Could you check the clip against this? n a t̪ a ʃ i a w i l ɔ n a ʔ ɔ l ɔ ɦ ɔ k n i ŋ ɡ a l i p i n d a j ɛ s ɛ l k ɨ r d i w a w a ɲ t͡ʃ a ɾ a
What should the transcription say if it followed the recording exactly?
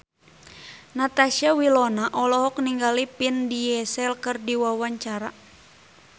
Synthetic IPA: n a t̪ a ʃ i a w i l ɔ n a ʔ ɔ l ɔ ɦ ɔ k n i ŋ ɡ a l i p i n d i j ɛ s ɛ l k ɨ r d i w a w a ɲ t͡ʃ a ɾ a